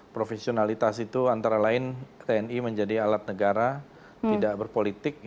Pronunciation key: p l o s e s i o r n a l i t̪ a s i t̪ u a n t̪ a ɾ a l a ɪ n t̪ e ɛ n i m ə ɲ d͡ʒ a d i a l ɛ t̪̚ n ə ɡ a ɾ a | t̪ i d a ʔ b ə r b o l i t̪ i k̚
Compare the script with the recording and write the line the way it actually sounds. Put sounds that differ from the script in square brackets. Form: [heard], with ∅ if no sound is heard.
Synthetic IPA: p [ɾ] o [f] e s i o [∅] n a l i t̪ a s i t̪ u a n t̪ a ɾ a l a ɪ n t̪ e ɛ n i m ə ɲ d͡ʒ a d i a l [a] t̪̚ n ə ɡ a ɾ a | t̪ i d a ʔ b ə r [p] o l i t̪ [ɪ] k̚